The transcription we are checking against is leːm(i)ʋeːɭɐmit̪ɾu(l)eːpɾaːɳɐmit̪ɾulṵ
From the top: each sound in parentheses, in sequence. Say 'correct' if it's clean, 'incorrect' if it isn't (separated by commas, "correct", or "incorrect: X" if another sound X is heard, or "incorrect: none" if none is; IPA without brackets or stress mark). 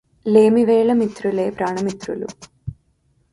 correct, correct